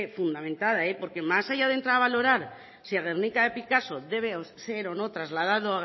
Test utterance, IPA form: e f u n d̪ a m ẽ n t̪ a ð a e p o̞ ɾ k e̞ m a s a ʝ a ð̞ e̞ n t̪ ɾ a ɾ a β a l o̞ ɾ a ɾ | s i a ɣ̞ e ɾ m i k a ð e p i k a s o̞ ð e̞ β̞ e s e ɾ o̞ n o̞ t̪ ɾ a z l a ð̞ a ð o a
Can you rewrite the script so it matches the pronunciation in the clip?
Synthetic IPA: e f u n d̪ a m ẽ n t̪ a ð a e p o̞ ɾ k e̞ m a s a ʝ a ð̞ e̞ n t̪ ɾ a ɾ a β a l o̞ ɾ a ɾ | s i a ɣ̞ e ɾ n i k a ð e p i k a s o̞ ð e̞ β̞ e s e ɾ o̞ n o̞ t̪ ɾ a z l a ð̞ a ð o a